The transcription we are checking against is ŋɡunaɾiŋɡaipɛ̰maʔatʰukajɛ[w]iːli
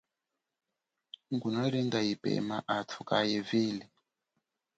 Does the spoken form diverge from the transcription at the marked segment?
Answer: yes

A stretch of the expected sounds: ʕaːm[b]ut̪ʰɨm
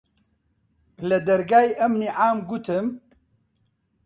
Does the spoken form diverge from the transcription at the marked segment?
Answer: yes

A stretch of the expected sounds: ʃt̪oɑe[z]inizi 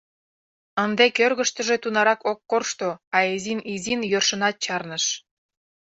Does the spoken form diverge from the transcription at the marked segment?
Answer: no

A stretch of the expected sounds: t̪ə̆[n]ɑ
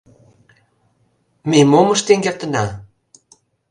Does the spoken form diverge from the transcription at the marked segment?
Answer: no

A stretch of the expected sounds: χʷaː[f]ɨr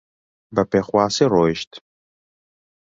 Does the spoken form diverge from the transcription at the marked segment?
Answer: yes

